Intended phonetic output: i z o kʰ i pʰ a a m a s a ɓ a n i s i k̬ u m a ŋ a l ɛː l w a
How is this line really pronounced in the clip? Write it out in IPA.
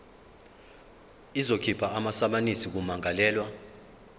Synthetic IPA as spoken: i z o kʰ i pʰ a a m a s a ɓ a n i s i k̬ u m a ŋ a l ɛː l w a